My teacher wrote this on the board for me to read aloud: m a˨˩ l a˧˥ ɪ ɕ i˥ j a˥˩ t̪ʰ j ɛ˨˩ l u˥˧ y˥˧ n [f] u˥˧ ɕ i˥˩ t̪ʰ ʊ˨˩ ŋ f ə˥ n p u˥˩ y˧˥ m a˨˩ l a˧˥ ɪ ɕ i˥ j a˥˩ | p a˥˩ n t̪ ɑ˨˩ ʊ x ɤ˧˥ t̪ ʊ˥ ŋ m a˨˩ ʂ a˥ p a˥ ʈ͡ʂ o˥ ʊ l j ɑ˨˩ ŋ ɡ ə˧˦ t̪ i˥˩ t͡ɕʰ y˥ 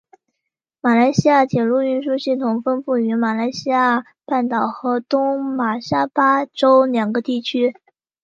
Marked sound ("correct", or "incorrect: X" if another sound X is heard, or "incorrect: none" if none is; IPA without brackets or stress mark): incorrect: ʂ